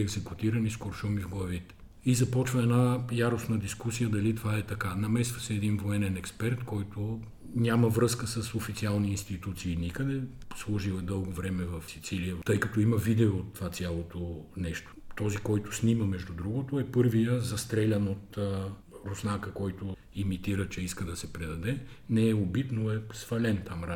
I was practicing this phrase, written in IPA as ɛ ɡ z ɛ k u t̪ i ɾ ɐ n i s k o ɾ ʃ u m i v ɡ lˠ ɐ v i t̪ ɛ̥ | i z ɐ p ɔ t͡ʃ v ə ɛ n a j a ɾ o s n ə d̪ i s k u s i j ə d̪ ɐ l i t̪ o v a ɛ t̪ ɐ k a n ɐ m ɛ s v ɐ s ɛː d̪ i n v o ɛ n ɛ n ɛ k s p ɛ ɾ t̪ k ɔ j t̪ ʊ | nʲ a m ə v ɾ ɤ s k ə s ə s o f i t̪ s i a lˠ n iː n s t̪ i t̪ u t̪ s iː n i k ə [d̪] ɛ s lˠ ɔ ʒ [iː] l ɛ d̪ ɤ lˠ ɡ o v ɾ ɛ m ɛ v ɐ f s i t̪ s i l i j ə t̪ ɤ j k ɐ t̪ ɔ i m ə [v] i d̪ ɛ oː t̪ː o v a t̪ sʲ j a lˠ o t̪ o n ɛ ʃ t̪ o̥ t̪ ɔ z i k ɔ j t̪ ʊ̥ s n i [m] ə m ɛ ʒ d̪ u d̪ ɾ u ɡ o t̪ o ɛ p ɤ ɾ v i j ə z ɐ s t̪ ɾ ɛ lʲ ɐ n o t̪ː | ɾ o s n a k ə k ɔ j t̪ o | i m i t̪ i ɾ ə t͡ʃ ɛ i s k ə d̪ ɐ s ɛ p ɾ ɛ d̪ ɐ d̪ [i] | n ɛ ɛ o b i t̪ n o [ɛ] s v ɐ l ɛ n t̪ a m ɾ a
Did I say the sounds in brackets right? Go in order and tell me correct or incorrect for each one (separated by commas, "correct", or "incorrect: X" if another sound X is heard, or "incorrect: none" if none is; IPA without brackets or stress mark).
correct, incorrect: i, correct, correct, incorrect: ɛ, correct